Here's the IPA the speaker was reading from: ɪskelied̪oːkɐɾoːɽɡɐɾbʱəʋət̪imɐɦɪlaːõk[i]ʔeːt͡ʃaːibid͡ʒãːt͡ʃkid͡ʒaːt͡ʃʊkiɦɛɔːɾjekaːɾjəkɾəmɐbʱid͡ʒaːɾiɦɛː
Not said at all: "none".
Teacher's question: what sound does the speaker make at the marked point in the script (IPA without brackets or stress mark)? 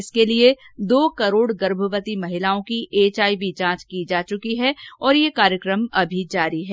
i